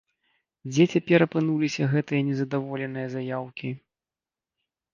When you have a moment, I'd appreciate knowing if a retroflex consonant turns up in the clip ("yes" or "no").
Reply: no